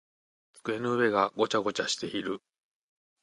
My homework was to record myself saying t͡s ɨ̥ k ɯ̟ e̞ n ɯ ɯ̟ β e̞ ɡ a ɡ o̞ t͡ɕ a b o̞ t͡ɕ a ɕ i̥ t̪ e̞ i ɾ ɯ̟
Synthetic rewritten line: t͡s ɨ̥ k ɯ̟ e̞ n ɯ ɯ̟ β e̞ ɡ a ɡ o̞ t͡ɕ a ɡ o̞ t͡ɕ a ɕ i̥ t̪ e̞ i ɾ ɯ̟